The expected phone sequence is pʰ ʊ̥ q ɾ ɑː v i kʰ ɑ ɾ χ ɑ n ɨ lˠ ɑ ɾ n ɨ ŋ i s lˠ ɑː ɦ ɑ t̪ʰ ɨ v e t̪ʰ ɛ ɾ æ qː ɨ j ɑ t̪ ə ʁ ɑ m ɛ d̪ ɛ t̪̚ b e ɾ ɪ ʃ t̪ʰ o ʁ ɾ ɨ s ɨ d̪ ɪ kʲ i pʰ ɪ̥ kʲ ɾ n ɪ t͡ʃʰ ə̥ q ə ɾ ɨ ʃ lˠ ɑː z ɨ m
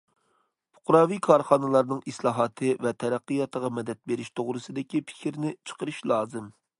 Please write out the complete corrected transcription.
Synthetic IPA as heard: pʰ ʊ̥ q ɾ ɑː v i kʰ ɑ ɾ χ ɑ n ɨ lˠ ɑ ɾ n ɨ ŋ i s lˠ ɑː ɦ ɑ t̪ʰ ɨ v ɛ t̪ʰ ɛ ɾ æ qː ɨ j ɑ t̪ ə ʁ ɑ m ɛ d̪ ɛ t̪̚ b e ɾ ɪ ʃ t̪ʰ o ʁ ɾ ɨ s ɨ d̪ ɪ kʲ i pʰ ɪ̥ kʲ ɾ n ɪ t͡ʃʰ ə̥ q ə ɾ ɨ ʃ lˠ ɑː z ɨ m